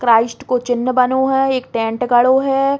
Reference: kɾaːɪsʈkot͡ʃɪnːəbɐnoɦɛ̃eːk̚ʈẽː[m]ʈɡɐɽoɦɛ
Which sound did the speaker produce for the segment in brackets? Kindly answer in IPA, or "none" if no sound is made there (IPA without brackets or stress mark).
ɳ